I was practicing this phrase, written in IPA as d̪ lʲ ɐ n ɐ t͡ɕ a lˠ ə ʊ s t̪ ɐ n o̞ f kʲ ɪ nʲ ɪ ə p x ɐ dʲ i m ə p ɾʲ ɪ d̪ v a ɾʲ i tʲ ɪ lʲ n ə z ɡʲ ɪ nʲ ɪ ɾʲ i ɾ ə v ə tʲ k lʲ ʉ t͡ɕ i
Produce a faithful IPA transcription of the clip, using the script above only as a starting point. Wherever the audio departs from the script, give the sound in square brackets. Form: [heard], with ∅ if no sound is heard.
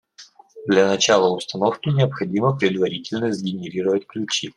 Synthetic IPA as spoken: d̪ lʲ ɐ n ɐ t͡ɕ a lˠ ə ʊ s t̪ ɐ n o̞ f kʲ ɪ nʲ ɪ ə p x ɐ dʲ i m ə p ɾʲ ɪ d̪ v [ɐ] ɾʲ i tʲ ɪ lʲ n ə z ɡʲ ɪ nʲ ɪ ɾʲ i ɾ ə v ə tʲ k lʲ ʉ t͡ɕ i